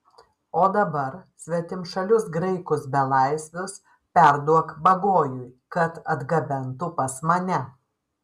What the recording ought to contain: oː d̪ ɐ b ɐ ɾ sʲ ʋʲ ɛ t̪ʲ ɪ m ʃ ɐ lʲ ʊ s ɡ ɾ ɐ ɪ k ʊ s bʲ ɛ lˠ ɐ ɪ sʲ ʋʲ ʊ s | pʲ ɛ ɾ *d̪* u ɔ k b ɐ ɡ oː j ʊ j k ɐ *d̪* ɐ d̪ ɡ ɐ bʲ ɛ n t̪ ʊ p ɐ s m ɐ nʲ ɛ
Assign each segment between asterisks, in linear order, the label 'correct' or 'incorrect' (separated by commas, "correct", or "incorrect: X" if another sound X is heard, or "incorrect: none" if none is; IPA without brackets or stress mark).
correct, incorrect: t̪